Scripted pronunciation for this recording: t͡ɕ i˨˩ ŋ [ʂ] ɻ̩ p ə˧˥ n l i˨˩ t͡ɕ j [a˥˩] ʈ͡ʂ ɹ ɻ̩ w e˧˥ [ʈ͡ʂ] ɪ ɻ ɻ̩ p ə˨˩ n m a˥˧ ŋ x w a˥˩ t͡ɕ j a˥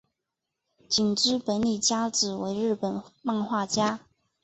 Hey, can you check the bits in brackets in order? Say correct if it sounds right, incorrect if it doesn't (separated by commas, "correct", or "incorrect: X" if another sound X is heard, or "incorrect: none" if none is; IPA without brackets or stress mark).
incorrect: ʈ͡ʂ, incorrect: a˥, incorrect: none